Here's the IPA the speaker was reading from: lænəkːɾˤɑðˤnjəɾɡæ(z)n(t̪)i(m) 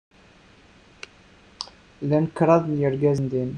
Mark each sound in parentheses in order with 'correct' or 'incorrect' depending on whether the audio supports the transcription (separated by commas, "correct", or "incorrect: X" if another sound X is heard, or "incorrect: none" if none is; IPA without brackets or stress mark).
correct, incorrect: d̪, incorrect: n